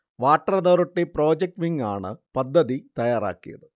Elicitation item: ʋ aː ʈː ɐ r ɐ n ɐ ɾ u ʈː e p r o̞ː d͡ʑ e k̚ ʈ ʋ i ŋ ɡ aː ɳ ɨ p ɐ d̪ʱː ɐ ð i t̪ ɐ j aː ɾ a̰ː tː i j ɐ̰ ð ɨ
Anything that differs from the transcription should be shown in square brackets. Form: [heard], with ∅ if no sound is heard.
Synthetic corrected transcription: ʋ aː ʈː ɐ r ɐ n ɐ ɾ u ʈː e p r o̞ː d͡ʑ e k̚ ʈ ʋ i ŋ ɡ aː ɳ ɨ p ɐ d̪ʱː ɐ ð i t̪ ɐ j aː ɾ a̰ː [kː] i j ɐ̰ ð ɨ